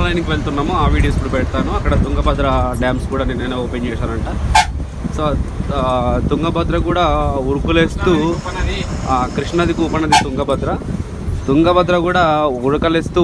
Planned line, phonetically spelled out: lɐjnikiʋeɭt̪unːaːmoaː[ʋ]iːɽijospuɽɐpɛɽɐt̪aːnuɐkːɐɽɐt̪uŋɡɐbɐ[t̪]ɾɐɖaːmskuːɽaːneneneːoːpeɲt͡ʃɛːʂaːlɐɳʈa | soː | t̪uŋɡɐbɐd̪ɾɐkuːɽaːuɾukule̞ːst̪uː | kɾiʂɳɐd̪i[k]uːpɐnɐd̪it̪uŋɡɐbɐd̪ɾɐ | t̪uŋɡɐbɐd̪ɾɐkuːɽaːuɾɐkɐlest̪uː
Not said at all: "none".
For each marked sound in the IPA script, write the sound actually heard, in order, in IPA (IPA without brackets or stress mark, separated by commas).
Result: ʋ, d̪, k